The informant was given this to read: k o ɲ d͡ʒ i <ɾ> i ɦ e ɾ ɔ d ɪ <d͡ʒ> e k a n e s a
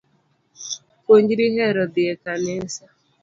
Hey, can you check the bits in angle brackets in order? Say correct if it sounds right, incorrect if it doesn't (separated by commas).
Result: correct, incorrect